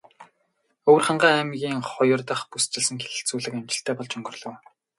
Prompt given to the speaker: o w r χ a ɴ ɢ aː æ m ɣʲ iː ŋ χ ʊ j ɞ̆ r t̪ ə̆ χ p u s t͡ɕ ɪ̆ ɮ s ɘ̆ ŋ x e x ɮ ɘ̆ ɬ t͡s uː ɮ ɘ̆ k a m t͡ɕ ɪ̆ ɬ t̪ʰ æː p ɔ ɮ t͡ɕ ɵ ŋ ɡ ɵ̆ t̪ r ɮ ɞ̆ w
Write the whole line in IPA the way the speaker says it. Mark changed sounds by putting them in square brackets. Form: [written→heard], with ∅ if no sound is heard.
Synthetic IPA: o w r χ a ɴ ɢ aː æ m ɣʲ iː ŋ χ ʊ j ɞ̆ r t̪ ə̆ χ p u s t͡ɕ ɪ̆ ɮ s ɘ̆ ŋ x e [x→∅] ɮ ɘ̆ ɬ t͡s uː ɮ ɘ̆ k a m t͡ɕ ɪ̆ ɬ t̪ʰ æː p ɔ ɮ t͡ɕ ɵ ŋ ɡ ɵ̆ [t̪→∅] r ɮ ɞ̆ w